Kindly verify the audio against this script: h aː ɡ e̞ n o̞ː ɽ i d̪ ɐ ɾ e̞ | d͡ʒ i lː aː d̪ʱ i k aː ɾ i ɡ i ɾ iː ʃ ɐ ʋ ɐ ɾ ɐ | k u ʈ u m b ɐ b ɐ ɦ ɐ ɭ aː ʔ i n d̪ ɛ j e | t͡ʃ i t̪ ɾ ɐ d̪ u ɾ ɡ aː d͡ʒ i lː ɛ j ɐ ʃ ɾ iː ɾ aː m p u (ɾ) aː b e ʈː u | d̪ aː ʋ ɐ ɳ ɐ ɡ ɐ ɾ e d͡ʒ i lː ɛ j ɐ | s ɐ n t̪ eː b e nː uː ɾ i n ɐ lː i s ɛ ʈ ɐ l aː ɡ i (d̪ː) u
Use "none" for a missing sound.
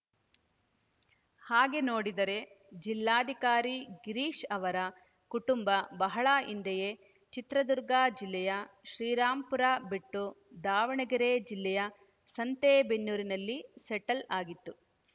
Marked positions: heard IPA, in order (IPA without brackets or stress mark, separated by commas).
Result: ɾ, t̪ː